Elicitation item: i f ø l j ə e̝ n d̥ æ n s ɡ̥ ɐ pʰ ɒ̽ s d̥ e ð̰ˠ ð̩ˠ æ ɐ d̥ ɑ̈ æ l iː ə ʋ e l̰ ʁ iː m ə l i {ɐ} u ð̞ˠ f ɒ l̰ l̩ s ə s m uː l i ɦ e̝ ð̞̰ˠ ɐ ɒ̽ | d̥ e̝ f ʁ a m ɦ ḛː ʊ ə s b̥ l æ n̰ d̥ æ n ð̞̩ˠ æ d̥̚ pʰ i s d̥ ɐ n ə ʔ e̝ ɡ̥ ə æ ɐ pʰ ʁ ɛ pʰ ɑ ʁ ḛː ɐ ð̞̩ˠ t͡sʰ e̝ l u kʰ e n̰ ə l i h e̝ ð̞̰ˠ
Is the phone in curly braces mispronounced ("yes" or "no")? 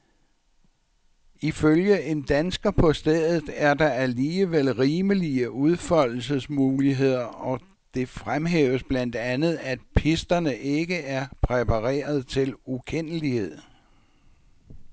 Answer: yes